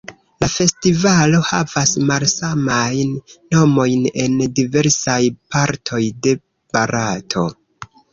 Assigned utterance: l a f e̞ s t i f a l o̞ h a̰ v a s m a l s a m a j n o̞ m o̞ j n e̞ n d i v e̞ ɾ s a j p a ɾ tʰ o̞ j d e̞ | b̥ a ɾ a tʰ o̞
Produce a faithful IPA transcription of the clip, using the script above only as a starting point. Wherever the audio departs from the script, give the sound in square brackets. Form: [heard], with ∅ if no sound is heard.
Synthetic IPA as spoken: l a f e̞ s t i [v] a l o̞ h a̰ v a s m a l s a m a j [nː] o̞ m o̞ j n e̞ n d i v e̞ ɾ s a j p a ɾ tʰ o̞ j d e̞ | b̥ a ɾ a tʰ o̞